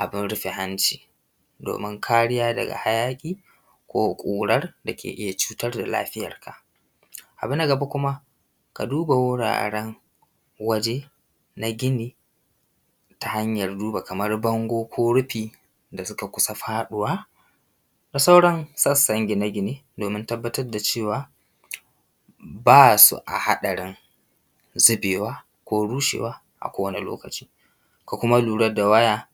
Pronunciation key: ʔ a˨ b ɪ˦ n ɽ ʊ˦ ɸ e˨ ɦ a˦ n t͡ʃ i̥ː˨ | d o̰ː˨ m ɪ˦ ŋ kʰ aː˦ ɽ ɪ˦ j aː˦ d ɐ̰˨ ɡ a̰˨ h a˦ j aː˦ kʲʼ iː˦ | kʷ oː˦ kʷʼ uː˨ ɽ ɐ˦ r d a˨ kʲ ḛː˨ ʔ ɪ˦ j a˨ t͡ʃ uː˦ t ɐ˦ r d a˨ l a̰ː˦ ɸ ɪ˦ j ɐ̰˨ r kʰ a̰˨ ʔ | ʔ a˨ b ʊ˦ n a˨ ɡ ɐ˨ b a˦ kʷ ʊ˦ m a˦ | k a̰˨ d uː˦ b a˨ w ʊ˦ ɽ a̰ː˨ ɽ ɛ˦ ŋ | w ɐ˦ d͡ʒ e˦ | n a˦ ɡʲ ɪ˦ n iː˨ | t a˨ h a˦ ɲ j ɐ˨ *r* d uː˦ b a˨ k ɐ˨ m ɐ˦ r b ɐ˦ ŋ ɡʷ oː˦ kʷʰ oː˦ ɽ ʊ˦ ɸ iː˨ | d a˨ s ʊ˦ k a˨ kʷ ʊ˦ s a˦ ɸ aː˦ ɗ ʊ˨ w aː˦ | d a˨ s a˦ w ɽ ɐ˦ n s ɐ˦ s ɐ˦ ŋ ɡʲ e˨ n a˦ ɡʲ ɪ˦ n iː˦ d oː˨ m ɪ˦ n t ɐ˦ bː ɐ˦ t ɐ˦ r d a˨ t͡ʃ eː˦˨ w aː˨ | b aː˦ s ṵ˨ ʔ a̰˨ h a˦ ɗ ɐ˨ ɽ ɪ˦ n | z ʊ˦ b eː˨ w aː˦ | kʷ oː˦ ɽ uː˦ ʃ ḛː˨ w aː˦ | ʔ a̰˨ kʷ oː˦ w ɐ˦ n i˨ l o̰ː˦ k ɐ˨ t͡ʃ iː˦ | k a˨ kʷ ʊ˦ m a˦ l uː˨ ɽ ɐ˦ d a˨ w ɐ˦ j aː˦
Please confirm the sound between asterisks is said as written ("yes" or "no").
yes